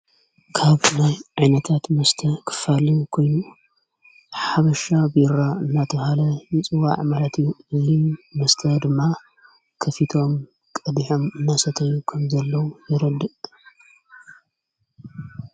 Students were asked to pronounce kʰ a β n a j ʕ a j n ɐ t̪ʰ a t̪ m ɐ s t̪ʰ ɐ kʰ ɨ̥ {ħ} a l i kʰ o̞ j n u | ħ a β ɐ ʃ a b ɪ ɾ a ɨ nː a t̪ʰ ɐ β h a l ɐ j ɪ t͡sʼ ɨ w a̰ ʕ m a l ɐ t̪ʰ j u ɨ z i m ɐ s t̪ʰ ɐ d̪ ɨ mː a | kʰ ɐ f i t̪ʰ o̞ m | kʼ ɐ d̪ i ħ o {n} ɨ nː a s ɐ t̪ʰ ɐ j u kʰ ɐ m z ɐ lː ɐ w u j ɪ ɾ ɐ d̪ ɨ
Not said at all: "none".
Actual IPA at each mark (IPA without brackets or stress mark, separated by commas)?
f, m